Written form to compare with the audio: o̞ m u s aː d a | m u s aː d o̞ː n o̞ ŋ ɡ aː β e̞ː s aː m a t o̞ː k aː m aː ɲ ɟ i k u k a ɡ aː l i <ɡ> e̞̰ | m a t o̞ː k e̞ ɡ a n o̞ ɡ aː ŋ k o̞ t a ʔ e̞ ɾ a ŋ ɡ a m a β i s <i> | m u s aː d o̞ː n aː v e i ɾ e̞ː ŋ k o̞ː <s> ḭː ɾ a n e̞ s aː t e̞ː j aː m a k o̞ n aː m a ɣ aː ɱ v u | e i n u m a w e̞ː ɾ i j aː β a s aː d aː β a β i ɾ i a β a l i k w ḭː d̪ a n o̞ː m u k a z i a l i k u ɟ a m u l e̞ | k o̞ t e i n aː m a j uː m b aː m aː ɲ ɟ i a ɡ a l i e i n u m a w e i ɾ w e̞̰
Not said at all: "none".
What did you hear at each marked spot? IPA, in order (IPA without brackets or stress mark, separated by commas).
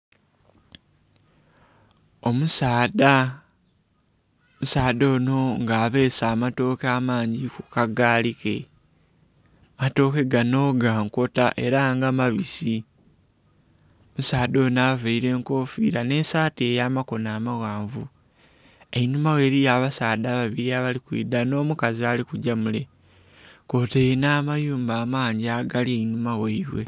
k, i, f